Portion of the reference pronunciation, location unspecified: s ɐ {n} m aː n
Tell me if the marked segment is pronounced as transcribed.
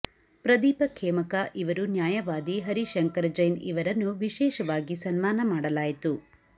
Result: yes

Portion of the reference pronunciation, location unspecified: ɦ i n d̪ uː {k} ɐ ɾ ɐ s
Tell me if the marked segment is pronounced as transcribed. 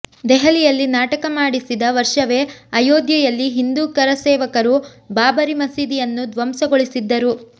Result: yes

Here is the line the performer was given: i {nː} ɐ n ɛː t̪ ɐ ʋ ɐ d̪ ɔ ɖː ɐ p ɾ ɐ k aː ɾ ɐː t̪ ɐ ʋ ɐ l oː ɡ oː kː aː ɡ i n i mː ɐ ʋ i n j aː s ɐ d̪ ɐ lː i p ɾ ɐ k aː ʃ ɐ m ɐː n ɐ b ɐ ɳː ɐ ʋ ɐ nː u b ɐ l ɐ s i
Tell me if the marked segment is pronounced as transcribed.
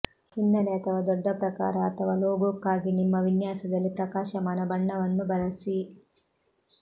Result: yes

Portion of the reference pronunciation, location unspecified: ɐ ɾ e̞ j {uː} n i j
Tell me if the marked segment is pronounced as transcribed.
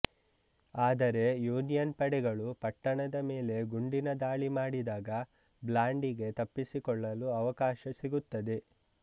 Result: yes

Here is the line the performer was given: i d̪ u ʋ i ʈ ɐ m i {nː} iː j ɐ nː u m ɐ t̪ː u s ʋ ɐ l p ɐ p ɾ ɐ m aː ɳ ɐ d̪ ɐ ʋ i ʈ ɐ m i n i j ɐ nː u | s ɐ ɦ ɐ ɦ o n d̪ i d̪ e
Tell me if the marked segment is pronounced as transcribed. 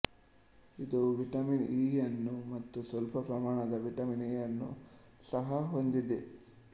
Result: no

